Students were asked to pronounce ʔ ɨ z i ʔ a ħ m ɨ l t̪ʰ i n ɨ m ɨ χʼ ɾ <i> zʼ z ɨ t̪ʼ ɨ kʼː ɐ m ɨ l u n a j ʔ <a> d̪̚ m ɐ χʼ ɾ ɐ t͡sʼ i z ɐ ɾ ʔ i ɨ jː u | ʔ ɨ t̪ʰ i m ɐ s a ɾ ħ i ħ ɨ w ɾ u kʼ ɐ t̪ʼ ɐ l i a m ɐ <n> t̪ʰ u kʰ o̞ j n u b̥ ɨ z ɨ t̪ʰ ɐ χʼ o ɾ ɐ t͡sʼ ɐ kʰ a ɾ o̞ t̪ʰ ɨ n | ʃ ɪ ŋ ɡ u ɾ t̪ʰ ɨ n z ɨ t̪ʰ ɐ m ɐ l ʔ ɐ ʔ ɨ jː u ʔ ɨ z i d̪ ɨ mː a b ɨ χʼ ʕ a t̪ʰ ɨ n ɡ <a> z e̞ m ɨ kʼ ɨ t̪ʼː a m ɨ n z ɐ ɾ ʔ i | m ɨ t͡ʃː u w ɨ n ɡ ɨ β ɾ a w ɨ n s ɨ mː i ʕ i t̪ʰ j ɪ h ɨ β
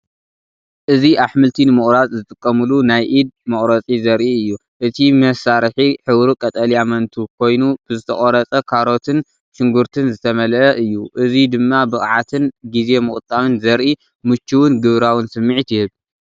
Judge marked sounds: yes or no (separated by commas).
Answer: no, no, yes, no